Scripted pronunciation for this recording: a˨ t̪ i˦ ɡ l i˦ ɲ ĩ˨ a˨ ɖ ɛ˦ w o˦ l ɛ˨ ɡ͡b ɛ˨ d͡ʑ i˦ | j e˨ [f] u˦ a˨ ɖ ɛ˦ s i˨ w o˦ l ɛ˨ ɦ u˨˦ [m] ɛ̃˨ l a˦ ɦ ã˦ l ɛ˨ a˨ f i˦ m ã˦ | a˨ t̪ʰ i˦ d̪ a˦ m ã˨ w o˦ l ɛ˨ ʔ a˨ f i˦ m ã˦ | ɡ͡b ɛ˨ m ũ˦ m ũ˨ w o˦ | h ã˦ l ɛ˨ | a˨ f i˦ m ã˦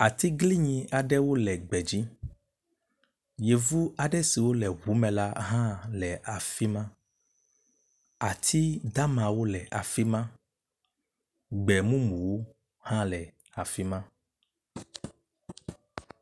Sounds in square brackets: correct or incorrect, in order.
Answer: incorrect: v, correct

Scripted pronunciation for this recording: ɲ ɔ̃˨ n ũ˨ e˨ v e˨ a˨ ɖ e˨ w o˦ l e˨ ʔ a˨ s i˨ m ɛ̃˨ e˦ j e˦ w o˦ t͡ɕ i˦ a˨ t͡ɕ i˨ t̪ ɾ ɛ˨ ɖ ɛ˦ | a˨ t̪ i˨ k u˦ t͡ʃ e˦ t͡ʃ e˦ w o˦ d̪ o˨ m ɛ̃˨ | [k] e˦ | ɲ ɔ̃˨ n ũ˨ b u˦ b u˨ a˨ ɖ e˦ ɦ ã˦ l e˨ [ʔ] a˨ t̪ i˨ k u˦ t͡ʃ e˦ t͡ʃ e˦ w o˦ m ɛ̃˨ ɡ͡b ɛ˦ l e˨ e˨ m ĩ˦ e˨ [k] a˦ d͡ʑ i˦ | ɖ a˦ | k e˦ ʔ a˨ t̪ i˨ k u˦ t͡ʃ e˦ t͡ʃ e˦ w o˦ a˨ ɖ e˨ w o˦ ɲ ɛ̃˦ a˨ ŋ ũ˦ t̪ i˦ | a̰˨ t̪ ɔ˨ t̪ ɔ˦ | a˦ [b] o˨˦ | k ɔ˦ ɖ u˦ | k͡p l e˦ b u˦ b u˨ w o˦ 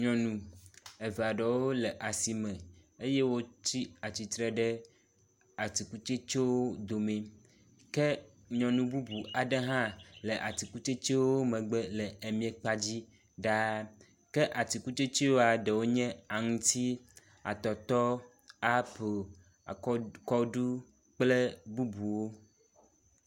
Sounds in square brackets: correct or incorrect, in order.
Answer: correct, correct, incorrect: k͡p, incorrect: p

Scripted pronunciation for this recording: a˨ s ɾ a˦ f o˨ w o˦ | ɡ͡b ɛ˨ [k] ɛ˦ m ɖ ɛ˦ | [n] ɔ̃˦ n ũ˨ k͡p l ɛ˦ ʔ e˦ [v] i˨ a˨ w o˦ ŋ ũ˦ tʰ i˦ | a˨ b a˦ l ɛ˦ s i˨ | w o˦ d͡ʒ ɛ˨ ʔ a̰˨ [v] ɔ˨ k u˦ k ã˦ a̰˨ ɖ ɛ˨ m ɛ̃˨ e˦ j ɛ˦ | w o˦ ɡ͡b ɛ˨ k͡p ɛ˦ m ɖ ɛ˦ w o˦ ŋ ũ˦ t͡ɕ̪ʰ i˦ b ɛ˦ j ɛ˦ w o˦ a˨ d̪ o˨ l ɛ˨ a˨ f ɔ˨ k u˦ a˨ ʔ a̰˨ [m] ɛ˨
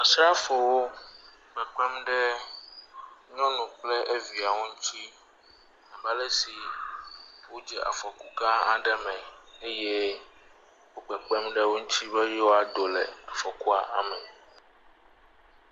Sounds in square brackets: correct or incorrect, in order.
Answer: incorrect: k͡p, incorrect: ɲ, correct, incorrect: f, correct

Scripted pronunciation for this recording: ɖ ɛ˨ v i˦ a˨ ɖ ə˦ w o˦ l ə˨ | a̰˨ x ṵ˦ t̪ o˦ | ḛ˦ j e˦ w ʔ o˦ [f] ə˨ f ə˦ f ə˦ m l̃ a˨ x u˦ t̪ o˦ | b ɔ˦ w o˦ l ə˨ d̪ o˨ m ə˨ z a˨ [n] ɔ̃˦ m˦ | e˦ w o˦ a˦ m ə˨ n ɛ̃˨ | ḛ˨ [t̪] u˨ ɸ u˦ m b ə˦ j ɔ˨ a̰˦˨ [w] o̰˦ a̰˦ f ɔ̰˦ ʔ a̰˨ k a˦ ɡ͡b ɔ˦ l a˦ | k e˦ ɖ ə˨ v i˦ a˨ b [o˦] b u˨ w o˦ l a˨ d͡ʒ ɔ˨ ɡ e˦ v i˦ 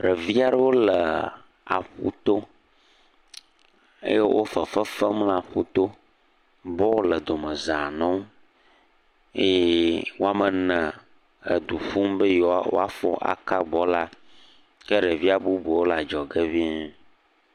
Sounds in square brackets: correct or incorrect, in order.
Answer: correct, correct, incorrect: d̪, correct, incorrect: u˦

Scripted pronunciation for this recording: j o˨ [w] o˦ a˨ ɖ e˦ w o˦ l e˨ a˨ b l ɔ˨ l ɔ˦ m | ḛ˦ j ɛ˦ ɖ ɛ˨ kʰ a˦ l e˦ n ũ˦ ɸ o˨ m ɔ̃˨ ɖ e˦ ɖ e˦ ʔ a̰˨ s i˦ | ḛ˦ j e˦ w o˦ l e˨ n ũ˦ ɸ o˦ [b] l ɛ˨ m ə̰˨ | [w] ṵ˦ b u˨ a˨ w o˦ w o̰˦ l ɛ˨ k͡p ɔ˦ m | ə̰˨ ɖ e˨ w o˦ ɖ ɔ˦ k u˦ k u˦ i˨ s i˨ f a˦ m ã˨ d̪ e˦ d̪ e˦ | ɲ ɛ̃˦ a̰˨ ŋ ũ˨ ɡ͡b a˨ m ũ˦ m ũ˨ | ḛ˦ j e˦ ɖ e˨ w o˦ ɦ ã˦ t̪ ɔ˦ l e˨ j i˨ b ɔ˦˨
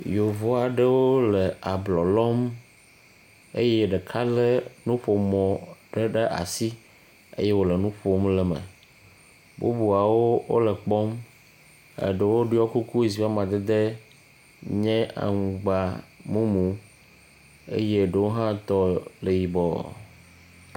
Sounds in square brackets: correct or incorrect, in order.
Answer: incorrect: v, incorrect: m, incorrect: b

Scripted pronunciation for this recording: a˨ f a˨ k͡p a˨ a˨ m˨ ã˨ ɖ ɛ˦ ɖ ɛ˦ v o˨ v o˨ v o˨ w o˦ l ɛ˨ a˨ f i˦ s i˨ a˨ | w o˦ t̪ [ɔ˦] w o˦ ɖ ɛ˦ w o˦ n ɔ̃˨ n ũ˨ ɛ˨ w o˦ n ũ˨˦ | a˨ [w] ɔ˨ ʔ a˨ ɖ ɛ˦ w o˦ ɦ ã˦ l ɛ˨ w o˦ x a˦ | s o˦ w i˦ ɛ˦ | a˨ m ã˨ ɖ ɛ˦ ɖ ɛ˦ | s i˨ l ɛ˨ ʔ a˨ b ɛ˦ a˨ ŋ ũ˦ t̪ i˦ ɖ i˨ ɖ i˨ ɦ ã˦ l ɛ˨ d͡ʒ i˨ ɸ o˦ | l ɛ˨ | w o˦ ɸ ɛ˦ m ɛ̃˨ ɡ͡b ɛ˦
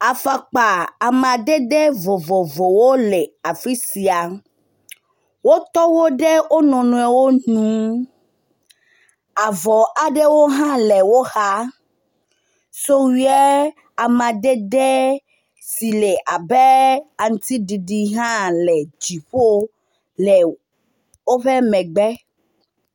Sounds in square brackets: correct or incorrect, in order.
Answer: correct, incorrect: v

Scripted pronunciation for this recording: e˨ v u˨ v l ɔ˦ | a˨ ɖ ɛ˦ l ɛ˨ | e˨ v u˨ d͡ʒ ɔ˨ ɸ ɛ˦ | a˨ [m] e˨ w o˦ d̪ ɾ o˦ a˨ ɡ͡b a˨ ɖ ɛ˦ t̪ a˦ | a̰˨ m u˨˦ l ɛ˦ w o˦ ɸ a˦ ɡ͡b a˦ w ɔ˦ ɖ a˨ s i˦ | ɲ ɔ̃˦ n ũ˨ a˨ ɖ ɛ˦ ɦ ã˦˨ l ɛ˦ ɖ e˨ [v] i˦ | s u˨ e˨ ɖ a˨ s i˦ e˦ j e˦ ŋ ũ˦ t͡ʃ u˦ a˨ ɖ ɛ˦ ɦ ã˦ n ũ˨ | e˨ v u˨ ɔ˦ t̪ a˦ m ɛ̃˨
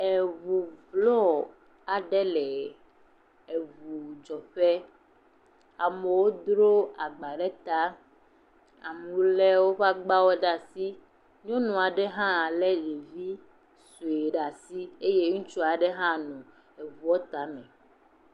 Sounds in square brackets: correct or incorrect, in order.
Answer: correct, correct

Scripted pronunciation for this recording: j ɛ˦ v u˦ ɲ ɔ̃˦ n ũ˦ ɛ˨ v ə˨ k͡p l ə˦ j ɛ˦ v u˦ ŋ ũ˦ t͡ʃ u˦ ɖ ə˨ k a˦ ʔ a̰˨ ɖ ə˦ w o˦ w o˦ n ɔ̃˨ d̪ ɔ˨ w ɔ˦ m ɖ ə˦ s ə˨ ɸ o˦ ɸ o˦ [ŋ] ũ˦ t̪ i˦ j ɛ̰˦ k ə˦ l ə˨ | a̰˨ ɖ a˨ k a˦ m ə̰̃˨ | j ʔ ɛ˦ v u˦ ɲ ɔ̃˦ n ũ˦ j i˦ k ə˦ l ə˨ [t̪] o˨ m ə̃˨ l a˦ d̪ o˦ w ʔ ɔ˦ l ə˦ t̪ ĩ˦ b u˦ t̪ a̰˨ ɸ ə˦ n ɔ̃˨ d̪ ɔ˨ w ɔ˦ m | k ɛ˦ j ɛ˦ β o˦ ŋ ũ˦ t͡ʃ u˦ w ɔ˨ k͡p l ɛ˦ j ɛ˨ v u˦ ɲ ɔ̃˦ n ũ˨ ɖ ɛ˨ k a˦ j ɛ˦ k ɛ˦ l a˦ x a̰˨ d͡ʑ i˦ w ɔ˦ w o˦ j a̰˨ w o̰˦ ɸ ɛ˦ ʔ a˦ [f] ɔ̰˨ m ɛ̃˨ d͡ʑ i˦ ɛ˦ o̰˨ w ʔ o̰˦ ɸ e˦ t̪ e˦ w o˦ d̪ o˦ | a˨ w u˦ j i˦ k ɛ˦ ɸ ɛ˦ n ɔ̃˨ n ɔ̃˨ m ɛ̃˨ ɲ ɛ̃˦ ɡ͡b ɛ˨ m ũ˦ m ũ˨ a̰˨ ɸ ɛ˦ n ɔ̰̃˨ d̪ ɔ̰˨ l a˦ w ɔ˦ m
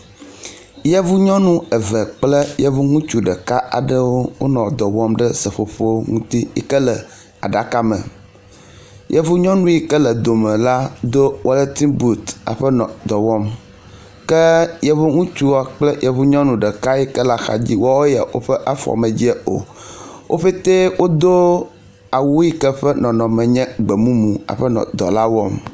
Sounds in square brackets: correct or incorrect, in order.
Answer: correct, incorrect: d̪, correct

